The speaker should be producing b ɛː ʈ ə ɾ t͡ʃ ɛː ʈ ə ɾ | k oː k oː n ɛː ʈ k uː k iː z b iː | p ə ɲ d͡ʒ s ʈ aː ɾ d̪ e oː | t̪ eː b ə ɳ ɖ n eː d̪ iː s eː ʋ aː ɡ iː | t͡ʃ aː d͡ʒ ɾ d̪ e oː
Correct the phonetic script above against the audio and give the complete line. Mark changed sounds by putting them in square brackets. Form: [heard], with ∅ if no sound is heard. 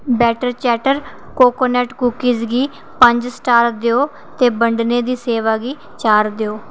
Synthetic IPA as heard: b ɛː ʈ ə ɾ t͡ʃ ɛː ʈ ə ɾ | k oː k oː n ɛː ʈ k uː k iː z [ɡ] iː | p ə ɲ d͡ʒ s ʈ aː ɾ d̪ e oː | t̪ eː b ə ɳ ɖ n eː d̪ iː s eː ʋ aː ɡ iː | t͡ʃ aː [∅] ɾ d̪ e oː